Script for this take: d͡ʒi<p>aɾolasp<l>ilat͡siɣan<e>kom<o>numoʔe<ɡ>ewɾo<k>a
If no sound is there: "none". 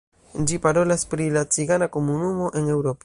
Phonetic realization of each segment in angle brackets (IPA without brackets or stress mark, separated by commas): p, ɾ, a, u, ŋ, p